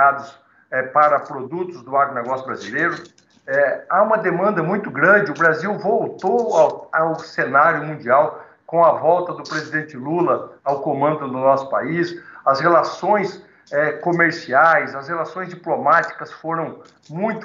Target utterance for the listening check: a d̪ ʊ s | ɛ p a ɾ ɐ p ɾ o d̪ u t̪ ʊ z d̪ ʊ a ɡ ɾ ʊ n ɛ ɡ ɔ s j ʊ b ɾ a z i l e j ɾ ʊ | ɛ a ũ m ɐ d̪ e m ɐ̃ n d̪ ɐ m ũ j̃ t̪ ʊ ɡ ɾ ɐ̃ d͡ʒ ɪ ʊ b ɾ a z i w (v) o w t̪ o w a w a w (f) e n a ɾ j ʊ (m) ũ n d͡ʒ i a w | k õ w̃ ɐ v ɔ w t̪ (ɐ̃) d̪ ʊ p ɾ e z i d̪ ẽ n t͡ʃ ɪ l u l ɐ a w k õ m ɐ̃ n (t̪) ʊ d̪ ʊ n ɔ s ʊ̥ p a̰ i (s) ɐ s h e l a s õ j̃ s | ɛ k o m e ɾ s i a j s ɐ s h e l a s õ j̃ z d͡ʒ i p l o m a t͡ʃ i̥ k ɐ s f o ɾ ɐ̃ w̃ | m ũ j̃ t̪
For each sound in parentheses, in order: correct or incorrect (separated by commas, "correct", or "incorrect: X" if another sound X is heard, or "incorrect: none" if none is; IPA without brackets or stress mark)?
correct, incorrect: s, correct, incorrect: ɐ, incorrect: d̪, correct